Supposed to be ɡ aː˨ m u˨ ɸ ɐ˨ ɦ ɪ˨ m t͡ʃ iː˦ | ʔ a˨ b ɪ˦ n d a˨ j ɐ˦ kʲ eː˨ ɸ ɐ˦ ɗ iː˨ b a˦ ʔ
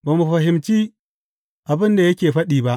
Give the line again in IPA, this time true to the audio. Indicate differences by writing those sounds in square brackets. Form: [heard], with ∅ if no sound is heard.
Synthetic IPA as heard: [b] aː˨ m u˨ ɸ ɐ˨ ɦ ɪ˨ m t͡ʃ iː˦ | ʔ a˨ b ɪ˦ n d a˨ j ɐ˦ kʲ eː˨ ɸ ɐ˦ ɗ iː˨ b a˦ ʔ

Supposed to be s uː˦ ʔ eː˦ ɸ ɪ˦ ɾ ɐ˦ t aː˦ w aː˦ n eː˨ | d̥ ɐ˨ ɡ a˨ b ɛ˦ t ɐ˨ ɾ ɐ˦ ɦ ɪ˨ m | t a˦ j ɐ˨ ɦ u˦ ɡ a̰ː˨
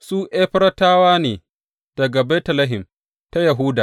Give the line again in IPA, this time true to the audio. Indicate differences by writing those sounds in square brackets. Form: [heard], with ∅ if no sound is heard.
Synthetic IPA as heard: s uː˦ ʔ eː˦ ɸ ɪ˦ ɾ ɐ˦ t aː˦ w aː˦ n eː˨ | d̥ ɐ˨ ɡ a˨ b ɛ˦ t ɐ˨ [l] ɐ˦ ɦ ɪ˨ m | t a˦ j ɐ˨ ɦ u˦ [d] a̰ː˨

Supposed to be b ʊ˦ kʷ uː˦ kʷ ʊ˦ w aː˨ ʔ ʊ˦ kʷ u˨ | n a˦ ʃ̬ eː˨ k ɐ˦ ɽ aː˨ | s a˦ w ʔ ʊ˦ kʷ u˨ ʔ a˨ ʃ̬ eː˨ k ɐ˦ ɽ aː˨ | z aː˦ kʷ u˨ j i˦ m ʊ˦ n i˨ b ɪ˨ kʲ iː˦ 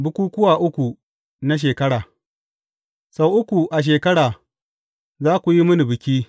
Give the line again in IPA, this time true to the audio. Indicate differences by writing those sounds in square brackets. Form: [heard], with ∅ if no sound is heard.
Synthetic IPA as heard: b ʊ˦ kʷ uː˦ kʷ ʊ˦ w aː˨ ʔ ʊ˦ kʷ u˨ | n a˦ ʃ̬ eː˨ k ɐ˦ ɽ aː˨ | s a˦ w ʔ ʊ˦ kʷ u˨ ʔ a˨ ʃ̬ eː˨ k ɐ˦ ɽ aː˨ | z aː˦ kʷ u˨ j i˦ m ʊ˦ n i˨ b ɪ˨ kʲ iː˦

